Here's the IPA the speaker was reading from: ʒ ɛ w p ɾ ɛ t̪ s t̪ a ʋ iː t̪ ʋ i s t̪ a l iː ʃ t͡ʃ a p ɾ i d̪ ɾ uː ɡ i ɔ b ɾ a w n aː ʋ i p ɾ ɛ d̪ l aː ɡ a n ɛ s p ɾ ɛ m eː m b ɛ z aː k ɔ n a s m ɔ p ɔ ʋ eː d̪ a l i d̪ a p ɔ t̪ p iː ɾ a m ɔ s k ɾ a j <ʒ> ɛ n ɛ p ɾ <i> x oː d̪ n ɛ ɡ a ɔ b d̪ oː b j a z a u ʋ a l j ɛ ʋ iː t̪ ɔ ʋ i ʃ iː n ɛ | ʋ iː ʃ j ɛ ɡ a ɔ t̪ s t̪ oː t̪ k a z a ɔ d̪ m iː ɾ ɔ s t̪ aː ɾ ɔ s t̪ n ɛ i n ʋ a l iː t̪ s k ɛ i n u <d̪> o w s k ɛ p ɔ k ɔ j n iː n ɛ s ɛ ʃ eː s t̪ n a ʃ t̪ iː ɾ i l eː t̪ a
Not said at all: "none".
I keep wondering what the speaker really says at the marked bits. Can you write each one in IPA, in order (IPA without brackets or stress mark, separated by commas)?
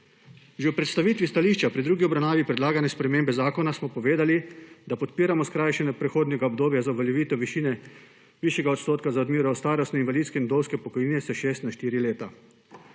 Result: ʃ, ɛ, d̪